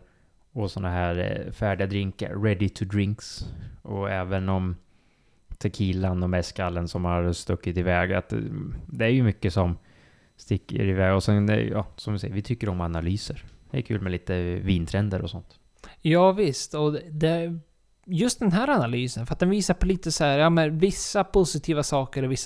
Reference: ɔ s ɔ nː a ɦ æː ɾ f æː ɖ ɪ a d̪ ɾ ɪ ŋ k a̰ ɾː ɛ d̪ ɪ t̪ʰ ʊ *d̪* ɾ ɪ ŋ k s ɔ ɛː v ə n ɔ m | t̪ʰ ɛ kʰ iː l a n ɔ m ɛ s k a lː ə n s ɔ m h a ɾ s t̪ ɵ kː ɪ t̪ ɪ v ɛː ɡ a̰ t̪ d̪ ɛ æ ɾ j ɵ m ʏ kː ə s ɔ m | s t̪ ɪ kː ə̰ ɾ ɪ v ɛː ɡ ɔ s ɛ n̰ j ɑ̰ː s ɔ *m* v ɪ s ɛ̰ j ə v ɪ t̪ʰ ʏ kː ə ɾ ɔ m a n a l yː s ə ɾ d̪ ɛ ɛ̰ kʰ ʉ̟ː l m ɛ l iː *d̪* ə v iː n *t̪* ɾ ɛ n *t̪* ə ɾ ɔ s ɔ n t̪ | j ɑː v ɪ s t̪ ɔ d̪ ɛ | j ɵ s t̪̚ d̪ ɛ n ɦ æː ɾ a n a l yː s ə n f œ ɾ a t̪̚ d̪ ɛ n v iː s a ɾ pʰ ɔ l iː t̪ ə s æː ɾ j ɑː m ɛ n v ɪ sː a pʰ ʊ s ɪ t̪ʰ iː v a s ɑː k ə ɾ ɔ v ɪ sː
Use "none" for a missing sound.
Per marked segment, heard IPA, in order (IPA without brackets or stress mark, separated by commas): d̪, m, t̪, t̪ʰ, d̪